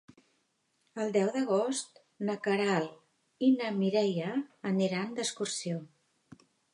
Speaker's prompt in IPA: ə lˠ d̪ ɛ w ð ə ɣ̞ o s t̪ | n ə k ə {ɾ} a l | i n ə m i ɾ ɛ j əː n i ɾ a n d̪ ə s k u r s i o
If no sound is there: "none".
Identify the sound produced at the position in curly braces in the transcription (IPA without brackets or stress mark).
ɾ